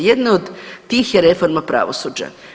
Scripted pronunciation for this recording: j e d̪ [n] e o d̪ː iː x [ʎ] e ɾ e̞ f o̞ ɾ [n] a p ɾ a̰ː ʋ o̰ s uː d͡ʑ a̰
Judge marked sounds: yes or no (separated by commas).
yes, no, no